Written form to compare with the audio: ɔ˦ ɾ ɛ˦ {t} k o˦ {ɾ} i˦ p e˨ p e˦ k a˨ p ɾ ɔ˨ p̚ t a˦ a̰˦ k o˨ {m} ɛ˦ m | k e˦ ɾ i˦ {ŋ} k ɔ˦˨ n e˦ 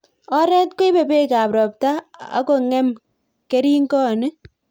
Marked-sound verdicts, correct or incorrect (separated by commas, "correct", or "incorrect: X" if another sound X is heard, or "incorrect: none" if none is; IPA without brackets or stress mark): correct, incorrect: none, incorrect: ŋ, correct